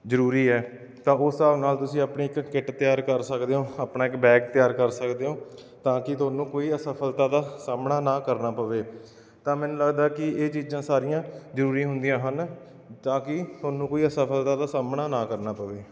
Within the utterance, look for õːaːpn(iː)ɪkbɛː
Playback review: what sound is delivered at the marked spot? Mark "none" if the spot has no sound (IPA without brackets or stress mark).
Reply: aː